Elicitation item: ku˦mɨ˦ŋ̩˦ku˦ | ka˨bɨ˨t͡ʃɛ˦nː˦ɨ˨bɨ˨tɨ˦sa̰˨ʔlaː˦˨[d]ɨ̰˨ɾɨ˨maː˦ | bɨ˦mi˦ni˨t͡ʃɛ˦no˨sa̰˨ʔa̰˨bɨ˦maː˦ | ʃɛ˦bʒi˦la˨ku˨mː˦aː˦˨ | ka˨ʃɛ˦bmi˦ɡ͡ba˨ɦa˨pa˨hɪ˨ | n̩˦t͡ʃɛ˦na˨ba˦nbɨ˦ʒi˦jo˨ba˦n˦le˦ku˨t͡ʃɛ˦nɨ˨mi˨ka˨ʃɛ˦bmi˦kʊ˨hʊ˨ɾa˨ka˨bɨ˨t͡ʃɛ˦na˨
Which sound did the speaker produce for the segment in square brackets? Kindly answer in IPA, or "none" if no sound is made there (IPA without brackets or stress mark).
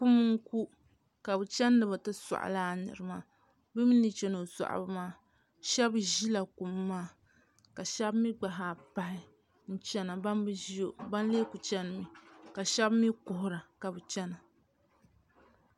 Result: n